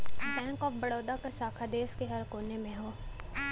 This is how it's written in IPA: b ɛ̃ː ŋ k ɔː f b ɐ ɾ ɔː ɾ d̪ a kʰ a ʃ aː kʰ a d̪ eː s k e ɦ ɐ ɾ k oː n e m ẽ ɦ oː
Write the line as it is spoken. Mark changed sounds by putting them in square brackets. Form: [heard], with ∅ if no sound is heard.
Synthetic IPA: b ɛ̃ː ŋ k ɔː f b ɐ [ɽ] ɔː [∅] d̪ a [k] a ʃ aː kʰ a d̪ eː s k e ɦ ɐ ɾ k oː n e m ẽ ɦ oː